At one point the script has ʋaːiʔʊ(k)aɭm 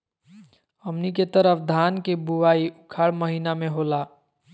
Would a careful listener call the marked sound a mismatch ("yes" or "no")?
yes